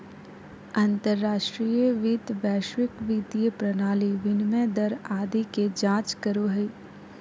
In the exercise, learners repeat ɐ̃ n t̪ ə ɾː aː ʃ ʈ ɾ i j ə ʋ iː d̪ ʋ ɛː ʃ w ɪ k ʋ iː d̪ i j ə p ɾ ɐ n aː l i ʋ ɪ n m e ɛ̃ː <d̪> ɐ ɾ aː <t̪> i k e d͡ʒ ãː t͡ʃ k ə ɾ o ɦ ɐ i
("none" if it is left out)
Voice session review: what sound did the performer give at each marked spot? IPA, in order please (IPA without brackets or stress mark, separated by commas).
d̪, d̪